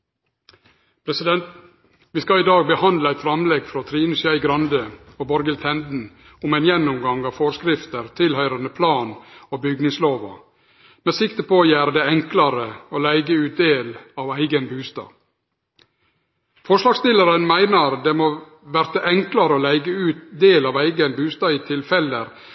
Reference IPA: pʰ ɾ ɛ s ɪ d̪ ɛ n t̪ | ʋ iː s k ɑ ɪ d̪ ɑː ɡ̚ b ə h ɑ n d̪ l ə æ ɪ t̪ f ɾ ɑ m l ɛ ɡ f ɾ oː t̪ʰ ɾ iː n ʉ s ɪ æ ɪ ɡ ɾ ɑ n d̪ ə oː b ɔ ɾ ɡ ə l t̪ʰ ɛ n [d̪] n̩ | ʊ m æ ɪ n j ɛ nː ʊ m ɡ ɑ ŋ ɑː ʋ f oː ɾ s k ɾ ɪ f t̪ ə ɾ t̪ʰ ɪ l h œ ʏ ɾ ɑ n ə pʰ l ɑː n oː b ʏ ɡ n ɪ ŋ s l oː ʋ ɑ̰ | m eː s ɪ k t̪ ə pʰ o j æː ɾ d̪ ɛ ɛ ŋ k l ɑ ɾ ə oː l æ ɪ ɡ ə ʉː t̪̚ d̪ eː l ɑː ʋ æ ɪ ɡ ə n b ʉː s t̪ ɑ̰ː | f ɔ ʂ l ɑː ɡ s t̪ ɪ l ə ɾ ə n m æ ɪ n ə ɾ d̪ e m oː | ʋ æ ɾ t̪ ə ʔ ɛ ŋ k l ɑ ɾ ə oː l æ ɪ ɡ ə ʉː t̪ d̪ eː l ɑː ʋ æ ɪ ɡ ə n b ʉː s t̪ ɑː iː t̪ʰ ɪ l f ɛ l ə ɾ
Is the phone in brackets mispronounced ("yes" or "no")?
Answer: no